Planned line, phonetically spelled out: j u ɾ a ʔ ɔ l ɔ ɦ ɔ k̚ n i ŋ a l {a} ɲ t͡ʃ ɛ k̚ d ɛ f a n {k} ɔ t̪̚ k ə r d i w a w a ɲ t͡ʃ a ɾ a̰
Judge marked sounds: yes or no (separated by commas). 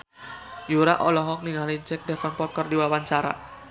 no, no